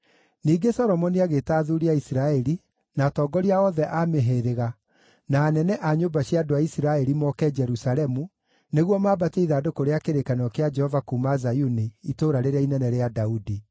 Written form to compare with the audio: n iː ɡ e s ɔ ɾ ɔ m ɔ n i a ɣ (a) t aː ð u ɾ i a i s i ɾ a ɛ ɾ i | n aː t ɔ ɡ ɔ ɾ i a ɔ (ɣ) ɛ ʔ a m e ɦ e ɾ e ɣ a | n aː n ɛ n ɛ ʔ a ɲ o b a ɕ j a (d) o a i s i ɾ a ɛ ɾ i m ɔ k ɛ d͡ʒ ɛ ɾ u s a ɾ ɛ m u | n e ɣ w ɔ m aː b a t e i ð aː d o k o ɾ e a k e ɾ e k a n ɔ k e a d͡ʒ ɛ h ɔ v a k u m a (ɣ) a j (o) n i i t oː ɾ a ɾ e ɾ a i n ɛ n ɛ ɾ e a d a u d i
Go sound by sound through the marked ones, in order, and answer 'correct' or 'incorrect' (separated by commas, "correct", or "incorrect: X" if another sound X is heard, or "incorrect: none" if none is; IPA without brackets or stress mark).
incorrect: e, incorrect: ð, correct, incorrect: z, incorrect: u